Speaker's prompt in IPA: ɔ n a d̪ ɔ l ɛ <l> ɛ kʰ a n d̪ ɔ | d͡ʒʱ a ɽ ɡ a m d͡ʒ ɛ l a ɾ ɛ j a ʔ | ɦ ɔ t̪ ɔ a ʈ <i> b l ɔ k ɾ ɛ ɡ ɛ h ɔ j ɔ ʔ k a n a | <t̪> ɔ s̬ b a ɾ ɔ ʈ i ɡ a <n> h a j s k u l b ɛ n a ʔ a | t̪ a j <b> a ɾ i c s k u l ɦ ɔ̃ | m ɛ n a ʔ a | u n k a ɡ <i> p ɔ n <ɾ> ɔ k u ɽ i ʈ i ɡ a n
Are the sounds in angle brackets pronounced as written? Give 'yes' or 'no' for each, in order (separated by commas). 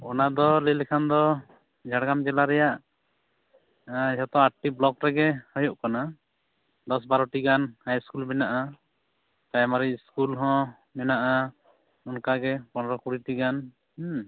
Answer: yes, yes, no, yes, no, no, yes